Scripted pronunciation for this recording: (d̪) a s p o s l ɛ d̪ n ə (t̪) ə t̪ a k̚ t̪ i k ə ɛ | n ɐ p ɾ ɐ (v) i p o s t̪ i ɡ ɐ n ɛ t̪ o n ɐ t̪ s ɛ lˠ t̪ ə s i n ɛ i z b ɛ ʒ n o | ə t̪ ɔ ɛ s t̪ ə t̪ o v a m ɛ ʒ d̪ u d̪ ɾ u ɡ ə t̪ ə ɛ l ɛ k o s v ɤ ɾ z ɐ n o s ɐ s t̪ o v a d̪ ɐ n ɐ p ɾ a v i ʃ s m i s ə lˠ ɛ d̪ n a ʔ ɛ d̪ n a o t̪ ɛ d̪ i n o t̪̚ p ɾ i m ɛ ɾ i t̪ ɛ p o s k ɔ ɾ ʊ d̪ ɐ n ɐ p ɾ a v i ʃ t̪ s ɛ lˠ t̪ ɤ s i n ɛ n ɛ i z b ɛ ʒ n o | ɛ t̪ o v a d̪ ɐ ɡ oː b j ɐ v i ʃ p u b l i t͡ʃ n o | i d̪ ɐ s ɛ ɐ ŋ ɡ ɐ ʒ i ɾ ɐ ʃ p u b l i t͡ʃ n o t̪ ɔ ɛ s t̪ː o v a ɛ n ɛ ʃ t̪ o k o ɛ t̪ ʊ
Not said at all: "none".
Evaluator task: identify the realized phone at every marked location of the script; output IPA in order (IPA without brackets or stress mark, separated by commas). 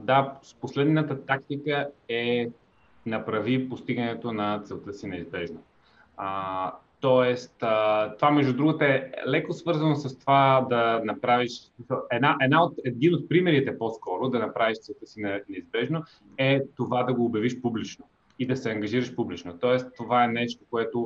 d̪, t̪, v